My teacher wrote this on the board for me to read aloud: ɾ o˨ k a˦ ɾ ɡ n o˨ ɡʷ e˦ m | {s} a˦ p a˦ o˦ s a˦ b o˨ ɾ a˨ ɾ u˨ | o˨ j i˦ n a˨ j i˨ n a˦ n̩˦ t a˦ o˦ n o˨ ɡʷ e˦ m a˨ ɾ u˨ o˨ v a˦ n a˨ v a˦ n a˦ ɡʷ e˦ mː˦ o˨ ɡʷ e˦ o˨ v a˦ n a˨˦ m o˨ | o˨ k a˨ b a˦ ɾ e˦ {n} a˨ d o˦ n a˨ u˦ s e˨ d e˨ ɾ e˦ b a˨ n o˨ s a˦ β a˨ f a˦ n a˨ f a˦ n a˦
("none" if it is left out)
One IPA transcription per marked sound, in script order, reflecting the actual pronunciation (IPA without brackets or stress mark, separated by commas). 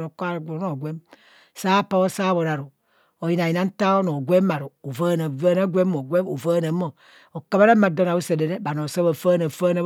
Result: s, m